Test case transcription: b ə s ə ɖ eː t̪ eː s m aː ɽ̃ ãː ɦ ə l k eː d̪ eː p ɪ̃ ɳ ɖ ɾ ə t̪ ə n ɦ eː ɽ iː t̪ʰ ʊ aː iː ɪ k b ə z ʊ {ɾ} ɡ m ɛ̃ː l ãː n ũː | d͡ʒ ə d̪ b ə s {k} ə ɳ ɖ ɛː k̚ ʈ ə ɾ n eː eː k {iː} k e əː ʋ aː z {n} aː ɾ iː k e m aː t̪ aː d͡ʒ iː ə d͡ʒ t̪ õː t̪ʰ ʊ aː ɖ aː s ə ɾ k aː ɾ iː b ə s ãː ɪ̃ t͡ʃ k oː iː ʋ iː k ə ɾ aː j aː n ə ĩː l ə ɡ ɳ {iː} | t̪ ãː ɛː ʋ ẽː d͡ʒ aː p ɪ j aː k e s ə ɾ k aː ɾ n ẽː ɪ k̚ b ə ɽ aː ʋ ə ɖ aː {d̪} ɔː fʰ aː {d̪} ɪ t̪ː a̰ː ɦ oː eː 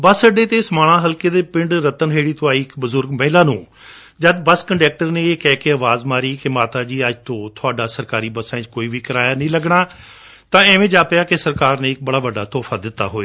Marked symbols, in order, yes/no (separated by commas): yes, yes, no, no, no, no, yes